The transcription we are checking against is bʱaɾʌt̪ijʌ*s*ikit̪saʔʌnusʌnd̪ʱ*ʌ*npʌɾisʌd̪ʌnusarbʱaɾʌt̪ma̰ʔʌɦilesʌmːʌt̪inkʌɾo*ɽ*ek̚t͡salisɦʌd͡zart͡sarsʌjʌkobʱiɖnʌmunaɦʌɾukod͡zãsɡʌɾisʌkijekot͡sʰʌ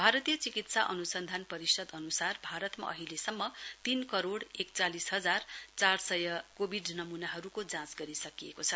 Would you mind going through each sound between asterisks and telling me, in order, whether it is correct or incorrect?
incorrect: t͡s, incorrect: a, correct

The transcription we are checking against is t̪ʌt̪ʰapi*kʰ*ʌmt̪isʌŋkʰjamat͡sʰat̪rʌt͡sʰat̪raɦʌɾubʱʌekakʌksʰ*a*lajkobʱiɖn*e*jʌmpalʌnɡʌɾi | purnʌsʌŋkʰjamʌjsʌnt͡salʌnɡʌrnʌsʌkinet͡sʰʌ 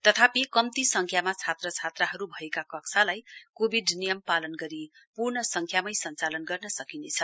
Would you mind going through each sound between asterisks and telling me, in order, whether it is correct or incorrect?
incorrect: k, correct, incorrect: i

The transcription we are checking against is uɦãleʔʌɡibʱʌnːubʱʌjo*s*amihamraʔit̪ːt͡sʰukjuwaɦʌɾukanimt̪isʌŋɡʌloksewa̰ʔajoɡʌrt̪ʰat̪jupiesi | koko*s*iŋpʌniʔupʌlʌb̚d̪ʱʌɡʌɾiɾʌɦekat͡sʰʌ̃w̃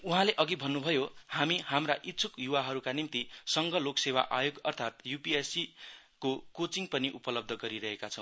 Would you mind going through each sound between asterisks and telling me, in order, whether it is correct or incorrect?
incorrect: h, incorrect: t͡s

